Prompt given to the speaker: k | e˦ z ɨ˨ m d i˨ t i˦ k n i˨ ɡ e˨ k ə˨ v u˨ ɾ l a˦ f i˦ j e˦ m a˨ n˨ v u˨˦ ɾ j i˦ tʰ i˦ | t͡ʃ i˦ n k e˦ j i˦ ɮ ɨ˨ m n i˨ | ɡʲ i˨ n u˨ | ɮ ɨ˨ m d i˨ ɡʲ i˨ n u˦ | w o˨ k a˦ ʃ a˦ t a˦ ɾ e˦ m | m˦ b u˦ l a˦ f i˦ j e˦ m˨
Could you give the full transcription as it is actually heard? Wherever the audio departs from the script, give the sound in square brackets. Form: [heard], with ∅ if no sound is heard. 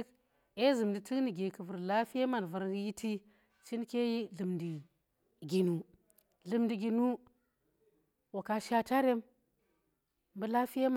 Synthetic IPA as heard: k | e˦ z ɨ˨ m d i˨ t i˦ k n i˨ ɡ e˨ k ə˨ v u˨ ɾ l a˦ f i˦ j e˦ m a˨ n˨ v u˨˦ ɾ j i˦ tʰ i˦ | t͡ʃ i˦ n k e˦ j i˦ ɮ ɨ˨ m [d] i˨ | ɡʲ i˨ n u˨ | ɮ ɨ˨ m d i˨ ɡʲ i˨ n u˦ | w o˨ k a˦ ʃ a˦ t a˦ ɾ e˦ m | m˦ b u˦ l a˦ f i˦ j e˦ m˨